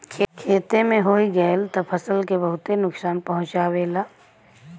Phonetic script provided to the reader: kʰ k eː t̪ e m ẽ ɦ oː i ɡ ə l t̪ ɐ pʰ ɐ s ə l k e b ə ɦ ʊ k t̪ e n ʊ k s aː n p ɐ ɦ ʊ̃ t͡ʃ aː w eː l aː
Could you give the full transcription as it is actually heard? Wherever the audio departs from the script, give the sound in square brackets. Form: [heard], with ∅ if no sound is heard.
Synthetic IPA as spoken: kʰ [kʰ] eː t̪ e m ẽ ɦ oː i ɡ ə l t̪ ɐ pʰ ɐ s ə l k e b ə ɦ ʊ [∅] t̪ e n ʊ k s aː n p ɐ ɦ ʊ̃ t͡ʃ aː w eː l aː